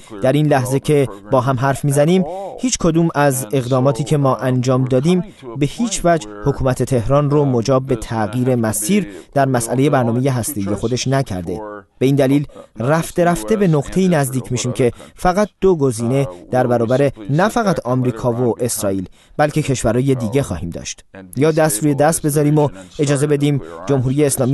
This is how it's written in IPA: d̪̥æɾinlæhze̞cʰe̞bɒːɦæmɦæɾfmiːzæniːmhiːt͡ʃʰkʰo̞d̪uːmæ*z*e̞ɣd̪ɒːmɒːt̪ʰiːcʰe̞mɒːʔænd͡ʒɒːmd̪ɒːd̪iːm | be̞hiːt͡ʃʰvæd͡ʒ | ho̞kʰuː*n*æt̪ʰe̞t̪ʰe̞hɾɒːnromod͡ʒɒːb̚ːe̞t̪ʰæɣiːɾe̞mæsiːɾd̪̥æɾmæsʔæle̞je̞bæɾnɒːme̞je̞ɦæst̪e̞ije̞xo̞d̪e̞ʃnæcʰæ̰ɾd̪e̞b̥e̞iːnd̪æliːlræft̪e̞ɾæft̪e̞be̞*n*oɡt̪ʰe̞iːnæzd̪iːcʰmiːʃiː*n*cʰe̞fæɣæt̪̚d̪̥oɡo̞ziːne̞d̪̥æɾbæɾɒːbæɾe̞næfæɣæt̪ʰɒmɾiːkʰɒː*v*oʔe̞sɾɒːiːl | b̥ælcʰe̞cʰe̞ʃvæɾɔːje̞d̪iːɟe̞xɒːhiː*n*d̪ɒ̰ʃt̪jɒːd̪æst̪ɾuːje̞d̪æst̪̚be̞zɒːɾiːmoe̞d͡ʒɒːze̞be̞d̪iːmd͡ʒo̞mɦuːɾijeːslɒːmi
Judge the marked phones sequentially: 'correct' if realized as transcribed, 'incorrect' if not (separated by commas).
correct, incorrect, correct, incorrect, correct, incorrect